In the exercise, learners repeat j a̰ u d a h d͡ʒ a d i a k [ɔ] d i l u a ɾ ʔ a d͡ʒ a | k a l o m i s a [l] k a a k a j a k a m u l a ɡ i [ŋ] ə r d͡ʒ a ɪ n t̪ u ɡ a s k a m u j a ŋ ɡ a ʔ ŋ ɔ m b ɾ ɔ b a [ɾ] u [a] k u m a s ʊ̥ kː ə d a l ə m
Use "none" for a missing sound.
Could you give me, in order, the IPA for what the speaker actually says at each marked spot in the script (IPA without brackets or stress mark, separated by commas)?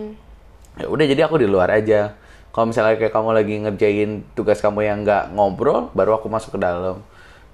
u, l, ŋ, ɾ, a